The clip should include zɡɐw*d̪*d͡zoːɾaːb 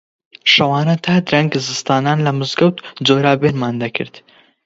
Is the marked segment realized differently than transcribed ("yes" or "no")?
yes